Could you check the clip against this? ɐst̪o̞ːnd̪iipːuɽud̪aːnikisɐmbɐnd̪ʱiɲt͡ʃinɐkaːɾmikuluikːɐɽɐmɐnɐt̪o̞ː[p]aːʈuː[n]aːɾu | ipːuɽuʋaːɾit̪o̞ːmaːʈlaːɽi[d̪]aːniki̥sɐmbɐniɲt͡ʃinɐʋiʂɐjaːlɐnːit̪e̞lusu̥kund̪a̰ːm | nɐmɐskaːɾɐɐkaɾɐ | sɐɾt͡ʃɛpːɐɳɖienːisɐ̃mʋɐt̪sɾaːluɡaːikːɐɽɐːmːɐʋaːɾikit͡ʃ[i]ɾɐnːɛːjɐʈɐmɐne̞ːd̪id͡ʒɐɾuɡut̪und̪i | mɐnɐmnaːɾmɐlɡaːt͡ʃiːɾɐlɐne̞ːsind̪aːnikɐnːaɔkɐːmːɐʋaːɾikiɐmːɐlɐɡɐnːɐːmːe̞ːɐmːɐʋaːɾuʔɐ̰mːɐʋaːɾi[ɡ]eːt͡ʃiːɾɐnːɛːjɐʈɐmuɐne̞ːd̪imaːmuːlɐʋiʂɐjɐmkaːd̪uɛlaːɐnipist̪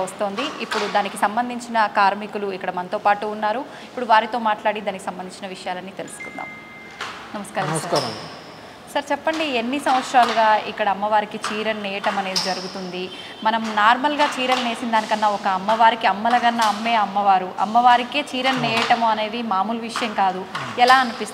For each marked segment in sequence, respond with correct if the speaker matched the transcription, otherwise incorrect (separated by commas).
correct, incorrect, correct, incorrect, incorrect